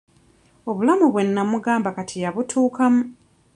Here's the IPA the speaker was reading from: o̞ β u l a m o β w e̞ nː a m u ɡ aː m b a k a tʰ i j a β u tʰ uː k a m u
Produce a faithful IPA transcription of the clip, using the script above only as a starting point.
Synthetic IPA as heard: o̞ β u l a m u β w e̞ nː a m u ɡ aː m b a k a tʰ i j a β u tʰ uː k a m u